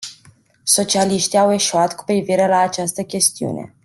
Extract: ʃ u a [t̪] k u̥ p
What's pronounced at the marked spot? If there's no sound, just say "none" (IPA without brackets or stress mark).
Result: t̪